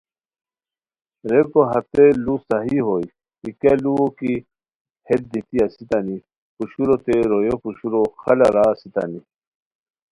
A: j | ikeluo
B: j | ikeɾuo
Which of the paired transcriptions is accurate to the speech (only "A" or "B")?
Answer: A